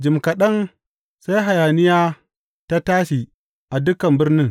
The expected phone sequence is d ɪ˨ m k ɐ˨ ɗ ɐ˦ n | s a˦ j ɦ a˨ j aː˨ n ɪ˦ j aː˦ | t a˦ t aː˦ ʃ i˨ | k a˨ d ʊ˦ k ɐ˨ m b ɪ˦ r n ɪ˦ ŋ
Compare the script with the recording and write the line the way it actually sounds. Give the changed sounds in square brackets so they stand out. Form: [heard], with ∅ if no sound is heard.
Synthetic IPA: [d͡ʒ] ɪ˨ m k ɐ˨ ɗ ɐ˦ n | s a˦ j ɦ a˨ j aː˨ n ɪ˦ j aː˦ | t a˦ t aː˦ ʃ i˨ | [ʔ] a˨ d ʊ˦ k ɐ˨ m b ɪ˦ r n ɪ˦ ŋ